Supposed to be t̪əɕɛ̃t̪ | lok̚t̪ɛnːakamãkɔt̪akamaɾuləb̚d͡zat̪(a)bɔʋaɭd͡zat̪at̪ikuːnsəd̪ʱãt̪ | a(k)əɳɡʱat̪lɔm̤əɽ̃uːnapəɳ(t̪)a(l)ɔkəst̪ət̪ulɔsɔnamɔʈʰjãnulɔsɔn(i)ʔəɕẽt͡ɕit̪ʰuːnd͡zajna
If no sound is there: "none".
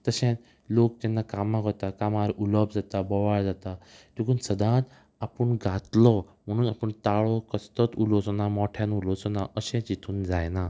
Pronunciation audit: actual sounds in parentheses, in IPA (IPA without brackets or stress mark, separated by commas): a, p, t̪, ɭ, a